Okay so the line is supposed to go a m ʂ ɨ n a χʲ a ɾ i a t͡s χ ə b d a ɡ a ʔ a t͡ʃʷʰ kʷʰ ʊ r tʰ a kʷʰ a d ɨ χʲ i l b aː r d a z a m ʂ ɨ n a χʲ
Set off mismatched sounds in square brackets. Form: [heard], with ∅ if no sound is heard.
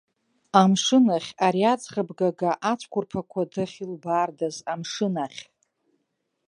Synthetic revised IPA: a m ʂ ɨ n a χʲ a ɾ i a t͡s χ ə b [ɡ] a ɡ a ʔ a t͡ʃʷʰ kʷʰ ʊ r [pʰ] a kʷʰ a d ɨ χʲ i l b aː r d a z a m ʂ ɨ n a χʲ